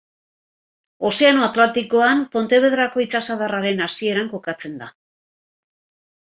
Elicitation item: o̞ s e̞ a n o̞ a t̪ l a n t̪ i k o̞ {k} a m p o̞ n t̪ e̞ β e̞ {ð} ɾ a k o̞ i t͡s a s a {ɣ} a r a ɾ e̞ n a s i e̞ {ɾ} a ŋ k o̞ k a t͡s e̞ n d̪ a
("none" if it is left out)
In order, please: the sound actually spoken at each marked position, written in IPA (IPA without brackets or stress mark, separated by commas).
none, ð, ð, ɾ